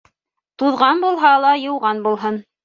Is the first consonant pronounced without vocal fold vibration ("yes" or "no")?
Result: yes